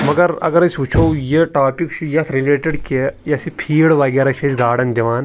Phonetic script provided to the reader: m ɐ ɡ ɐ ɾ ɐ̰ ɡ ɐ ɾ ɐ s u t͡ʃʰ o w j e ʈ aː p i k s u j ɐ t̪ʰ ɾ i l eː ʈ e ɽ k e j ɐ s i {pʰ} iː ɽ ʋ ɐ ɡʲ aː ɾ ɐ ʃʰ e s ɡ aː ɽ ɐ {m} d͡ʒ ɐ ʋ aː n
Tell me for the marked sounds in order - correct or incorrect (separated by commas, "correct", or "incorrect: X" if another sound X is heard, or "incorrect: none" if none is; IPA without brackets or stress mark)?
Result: correct, incorrect: n